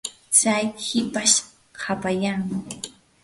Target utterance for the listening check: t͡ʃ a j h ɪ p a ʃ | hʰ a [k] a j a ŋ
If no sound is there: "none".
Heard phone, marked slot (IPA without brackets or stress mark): p